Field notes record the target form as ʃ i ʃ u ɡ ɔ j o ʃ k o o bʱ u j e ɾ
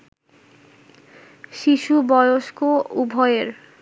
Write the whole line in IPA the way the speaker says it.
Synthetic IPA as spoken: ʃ i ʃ u b ɔ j o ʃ k o u bʱ ɔ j e ɾ